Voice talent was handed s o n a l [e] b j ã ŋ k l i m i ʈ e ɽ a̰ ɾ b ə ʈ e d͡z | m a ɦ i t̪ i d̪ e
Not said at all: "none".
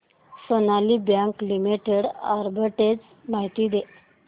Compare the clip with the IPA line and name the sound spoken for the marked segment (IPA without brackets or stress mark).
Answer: i